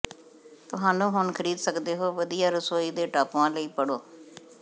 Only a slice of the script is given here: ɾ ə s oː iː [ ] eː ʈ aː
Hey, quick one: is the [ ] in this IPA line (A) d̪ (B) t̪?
A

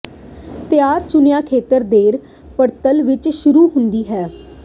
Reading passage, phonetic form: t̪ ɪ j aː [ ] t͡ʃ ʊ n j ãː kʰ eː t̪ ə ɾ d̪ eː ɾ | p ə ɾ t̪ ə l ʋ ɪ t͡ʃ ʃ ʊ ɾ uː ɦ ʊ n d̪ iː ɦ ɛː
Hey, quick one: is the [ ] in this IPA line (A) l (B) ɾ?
B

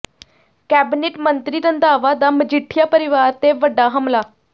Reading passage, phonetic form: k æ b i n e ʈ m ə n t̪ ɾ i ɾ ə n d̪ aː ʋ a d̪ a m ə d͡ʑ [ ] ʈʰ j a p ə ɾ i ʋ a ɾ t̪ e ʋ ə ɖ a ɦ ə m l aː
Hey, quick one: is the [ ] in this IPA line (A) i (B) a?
A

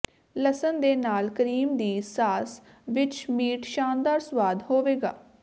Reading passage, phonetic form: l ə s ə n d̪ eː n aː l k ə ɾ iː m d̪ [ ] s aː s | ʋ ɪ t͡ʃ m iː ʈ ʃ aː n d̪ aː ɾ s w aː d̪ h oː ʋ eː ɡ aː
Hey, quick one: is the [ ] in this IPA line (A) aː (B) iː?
B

